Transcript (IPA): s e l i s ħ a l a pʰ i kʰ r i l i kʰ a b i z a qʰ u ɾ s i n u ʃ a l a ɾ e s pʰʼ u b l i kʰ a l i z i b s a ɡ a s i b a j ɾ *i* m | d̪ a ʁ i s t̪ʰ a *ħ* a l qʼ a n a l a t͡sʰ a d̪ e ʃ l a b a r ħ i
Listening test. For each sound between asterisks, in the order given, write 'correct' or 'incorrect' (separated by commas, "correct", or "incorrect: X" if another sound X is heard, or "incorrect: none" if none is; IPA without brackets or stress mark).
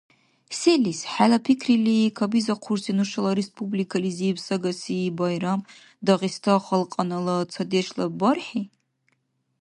incorrect: a, incorrect: χ